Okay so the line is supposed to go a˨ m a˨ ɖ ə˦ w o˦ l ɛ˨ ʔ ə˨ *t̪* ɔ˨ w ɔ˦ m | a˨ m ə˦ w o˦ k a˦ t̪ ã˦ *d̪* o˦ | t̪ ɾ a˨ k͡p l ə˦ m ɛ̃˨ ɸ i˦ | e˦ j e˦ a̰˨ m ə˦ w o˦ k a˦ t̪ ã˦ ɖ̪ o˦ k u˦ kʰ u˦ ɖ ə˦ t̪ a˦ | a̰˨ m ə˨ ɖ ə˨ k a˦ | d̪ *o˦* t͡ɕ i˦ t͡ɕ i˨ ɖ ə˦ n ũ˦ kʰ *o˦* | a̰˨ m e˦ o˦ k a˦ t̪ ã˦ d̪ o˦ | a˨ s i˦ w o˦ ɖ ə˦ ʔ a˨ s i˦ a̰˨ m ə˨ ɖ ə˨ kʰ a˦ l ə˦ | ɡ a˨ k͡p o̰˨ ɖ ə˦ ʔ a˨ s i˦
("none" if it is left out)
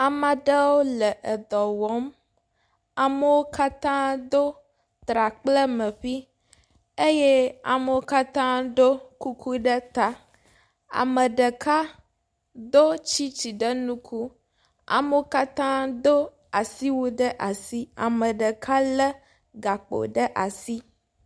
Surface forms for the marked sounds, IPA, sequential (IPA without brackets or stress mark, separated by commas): d̪, d̪, o˦, u˦